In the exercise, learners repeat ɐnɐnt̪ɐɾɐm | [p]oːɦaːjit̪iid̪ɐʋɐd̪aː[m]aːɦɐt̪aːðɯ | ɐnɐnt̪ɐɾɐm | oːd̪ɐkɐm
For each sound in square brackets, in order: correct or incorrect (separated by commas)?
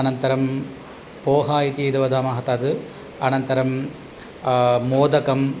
correct, correct